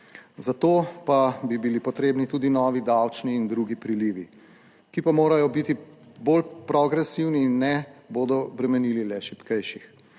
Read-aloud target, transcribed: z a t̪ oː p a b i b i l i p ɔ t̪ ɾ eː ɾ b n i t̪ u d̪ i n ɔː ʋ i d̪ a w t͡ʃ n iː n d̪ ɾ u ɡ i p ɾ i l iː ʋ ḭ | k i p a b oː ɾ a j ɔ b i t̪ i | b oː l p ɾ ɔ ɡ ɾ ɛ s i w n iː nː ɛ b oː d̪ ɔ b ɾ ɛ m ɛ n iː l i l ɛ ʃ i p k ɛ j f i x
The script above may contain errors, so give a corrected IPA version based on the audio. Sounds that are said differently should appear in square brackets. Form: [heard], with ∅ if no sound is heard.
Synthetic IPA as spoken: z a t̪ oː p a b i b i l i p ɔ t̪ ɾ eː [∅] b n i t̪ u d̪ i n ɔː ʋ i d̪ a w t͡ʃ n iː n d̪ ɾ u ɡ i p ɾ i l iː ʋ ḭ | k i p a [m] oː ɾ a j ɔ b i t̪ i | b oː l p ɾ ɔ ɡ ɾ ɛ s i w n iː nː ɛ b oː d̪ ɔ b ɾ ɛ m ɛ n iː l i l ɛ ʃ i p k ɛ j [ʃ] i x